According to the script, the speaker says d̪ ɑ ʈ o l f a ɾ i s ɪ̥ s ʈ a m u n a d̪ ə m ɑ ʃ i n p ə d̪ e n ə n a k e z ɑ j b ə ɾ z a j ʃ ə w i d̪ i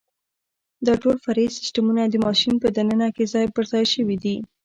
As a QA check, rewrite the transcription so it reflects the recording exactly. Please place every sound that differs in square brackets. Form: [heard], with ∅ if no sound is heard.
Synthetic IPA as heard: d̪ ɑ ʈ o l f a ɾ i s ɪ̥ s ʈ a m u n a d̪ ə m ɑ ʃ i n p ə d̪ [a] n ə n a k e z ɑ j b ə ɾ z [ɑ] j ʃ ə w i d̪ i

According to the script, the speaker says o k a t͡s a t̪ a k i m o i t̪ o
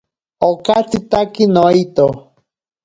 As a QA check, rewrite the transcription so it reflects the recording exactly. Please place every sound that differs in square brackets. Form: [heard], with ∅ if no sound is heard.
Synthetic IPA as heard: o k a t͡s [i] t̪ a k i [n] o i t̪ o

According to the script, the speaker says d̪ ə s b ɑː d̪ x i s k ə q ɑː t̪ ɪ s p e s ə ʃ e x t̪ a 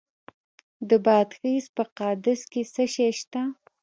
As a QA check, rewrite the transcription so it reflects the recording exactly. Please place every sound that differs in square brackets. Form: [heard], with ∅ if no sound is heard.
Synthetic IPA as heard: d̪ ə [∅] b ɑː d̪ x i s [p] ə q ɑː [d̪] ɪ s [k] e s ə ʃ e [ʃ] t̪ a

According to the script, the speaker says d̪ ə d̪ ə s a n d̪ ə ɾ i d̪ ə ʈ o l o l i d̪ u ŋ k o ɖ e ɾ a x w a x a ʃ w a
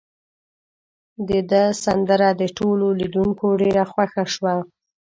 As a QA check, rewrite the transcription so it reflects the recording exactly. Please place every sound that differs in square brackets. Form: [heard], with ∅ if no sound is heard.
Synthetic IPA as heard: d̪ ə d̪ ə s a n d̪ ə ɾ [a] d̪ ə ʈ o l o l i d̪ u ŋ k o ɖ e ɾ a x w a x a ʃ w a

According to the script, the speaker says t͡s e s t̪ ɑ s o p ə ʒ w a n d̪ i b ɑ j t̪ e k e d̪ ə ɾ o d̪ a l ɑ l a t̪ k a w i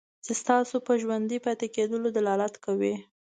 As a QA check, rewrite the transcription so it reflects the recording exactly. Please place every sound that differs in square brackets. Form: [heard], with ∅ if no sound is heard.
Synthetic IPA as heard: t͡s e s t̪ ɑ s o p ə ʒ w a n d̪ i [p] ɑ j t̪ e k e d̪ ə [l] o d̪ a l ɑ l a t̪ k a w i

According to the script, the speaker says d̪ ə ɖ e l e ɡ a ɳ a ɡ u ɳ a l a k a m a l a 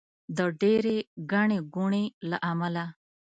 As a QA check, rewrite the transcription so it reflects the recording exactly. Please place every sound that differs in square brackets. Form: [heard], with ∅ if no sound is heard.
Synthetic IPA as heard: d̪ ə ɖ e [ɾ] e ɡ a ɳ [e] ɡ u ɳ [e] l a [ʔ] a m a l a

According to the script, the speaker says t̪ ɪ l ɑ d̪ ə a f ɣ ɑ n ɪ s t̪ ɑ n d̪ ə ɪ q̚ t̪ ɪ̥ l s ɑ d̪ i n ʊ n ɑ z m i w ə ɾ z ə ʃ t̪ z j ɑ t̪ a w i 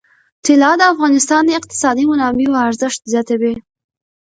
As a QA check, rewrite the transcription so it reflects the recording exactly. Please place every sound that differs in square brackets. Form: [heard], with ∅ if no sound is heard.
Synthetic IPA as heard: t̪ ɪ l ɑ d̪ ə a f ɣ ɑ n ɪ s t̪ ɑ n d̪ ə ɪ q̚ t̪ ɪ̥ [∅] s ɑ d̪ i [m] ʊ n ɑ [∅] m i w [a] ɾ z ə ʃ t̪ z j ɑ t̪ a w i

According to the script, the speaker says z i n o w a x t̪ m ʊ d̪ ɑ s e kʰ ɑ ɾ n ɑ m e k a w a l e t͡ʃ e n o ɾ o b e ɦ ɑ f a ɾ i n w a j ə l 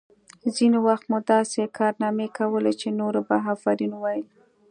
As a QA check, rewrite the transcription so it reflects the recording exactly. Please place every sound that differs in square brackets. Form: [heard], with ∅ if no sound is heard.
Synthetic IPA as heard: z i n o w a x t̪ m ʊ d̪ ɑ s e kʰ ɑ ɾ n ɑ m e k a w [ə] l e t͡ʃ e n o ɾ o b [a] ɦ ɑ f a ɾ i n w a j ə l

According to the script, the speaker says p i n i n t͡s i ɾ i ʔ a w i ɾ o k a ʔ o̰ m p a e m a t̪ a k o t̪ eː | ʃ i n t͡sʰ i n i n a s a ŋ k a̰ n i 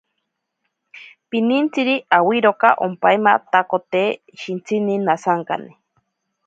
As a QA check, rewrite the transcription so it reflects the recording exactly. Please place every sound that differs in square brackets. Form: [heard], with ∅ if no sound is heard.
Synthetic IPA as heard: p i n i n t͡s i ɾ i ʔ a w i ɾ o k a ʔ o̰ m p a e m a t̪ a k o t̪ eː | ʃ i n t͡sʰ i n i n a s a ŋ k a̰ n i

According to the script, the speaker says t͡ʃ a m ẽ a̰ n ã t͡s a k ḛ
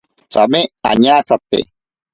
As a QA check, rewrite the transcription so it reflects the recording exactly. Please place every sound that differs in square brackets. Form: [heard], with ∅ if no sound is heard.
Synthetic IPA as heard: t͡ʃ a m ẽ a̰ [ɲ] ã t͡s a [p] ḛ

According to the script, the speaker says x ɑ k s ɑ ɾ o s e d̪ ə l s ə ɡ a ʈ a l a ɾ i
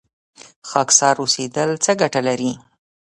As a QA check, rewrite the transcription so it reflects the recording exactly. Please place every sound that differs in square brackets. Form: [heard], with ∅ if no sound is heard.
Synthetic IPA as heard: x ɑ k s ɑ ɾ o s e d̪ ə l [t͡s] ə ɡ a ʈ a l a ɾ i

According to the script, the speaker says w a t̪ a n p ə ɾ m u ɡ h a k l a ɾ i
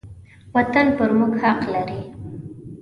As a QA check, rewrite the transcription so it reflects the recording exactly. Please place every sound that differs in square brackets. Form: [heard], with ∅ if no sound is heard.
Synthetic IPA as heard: w a t̪ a n p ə ɾ m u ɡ h a [q] l a ɾ i

